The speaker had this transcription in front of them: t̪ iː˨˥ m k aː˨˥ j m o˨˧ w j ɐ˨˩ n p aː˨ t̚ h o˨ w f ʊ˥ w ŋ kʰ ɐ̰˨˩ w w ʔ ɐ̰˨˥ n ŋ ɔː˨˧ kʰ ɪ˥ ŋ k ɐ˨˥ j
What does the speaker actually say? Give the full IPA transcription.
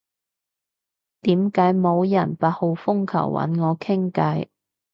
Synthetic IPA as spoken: t̪ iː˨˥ m k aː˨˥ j m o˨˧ w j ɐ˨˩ n p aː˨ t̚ h o˨ w f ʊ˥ ŋ kʰ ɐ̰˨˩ w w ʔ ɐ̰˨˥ n ŋ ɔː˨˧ kʰ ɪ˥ ŋ k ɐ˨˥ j